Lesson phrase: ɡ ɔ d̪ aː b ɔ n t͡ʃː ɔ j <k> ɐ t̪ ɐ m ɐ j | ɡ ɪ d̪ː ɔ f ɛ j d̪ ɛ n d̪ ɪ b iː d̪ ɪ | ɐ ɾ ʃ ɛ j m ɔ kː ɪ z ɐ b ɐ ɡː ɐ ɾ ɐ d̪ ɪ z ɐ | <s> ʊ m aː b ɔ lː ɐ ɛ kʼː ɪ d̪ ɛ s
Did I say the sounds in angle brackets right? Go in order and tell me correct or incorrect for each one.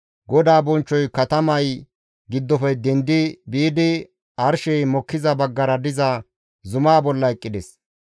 correct, incorrect

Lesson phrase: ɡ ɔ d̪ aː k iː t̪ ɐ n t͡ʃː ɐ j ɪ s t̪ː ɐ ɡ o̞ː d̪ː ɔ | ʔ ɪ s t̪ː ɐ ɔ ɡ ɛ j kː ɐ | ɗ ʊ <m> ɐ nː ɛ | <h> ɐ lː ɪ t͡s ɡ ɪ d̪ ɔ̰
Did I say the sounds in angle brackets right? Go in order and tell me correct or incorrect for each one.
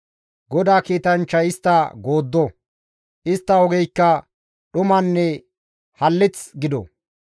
correct, correct

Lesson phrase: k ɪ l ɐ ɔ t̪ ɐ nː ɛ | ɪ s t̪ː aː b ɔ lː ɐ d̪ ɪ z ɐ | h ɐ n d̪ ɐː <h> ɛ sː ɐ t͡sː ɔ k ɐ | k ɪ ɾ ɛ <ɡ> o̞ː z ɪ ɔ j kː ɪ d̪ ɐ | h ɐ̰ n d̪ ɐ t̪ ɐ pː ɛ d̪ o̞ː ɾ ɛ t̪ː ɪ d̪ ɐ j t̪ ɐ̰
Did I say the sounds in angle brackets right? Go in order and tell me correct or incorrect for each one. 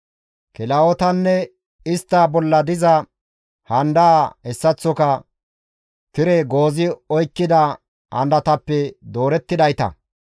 correct, correct

